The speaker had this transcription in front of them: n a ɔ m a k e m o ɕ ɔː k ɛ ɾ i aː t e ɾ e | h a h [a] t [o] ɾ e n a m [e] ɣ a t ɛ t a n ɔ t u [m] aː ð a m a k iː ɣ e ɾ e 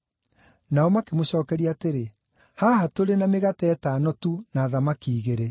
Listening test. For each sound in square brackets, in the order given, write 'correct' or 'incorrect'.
correct, correct, correct, incorrect: n

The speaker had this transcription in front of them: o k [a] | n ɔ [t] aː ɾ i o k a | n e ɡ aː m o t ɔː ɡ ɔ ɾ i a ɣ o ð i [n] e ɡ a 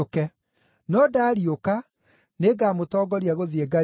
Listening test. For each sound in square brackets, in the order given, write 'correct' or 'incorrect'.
incorrect: ɛ, incorrect: d, incorrect: none

